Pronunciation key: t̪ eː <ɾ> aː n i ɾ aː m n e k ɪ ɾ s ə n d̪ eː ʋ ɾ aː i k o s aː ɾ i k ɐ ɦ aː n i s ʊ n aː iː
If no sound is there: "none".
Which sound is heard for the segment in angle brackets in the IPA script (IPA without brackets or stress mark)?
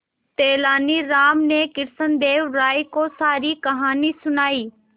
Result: l